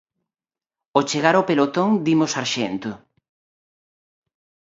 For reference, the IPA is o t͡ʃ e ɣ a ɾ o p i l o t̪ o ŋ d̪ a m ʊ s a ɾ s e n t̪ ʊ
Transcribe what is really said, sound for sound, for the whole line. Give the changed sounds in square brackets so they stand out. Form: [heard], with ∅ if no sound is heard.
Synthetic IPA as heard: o t͡ʃ e ɣ a ɾ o p [e] l o t̪ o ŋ d̪ [i] m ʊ s a ɾ [ʃ] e n t̪ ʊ